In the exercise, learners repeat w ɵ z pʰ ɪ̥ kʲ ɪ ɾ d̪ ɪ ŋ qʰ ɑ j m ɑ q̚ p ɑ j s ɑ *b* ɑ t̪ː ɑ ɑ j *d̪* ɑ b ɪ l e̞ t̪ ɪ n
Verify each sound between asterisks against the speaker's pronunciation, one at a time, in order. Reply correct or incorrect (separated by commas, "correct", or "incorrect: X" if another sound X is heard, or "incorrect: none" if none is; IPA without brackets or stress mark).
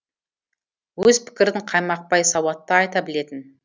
incorrect: w, incorrect: t̪